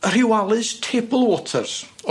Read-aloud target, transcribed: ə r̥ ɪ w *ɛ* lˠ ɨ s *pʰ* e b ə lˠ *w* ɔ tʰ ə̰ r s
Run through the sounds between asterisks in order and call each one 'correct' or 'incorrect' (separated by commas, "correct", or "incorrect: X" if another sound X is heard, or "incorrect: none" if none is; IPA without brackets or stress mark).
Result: incorrect: a, incorrect: tʰ, correct